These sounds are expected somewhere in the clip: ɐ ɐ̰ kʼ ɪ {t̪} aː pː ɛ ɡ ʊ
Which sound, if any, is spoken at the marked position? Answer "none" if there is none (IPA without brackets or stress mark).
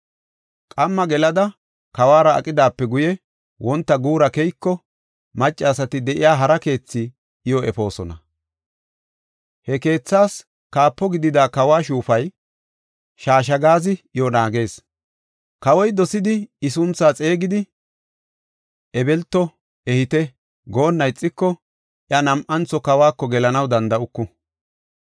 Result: d̪